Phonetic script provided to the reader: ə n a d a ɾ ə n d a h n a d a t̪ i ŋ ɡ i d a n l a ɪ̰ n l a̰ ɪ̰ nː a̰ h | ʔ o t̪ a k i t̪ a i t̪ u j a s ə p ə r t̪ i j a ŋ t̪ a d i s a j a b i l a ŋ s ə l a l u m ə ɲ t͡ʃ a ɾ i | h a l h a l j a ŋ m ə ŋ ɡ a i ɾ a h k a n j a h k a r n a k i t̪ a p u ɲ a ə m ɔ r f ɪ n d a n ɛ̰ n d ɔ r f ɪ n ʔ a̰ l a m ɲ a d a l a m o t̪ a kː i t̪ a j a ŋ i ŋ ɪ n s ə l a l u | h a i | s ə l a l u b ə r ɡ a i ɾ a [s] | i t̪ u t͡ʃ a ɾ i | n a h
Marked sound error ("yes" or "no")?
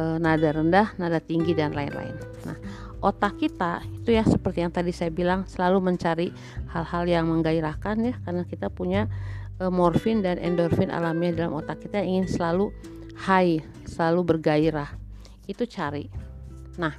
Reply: yes